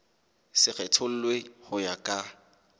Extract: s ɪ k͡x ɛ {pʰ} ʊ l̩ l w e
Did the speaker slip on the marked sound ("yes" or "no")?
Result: yes